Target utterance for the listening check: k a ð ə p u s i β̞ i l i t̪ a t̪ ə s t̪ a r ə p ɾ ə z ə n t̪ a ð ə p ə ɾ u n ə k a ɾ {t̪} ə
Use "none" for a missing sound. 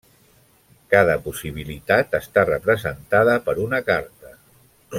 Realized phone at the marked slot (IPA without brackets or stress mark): t̪